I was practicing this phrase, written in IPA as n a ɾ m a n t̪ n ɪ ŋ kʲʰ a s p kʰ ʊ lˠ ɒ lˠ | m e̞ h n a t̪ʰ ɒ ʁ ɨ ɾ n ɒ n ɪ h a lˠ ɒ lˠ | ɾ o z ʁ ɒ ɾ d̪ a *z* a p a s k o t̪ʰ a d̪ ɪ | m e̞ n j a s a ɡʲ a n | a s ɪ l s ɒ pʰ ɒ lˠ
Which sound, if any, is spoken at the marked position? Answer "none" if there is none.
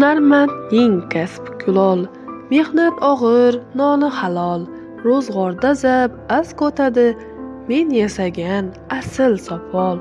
z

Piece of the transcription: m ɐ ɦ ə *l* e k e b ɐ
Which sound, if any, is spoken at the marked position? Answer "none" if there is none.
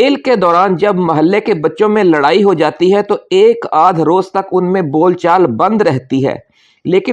lː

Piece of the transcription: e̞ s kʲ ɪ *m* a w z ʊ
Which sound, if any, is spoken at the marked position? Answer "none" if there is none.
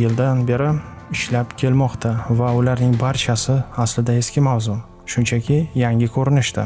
m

